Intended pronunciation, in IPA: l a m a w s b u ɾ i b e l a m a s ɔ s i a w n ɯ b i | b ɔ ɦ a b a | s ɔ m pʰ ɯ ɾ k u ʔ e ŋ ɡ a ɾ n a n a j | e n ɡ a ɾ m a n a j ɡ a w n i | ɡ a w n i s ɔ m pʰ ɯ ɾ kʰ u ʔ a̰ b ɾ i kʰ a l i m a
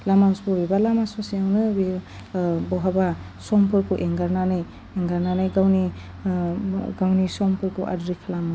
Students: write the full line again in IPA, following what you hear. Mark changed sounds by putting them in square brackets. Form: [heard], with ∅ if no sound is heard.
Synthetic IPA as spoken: l a m a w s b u ɾ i b [a] l a m a s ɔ s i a w n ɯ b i | b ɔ ɦ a b a | s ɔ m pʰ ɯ ɾ k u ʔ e ŋ ɡ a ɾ n a n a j | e [ŋ] ɡ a ɾ [n] a n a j ɡ a w n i | ɡ a w n i s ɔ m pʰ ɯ ɾ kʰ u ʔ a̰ [d] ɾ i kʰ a l [a] m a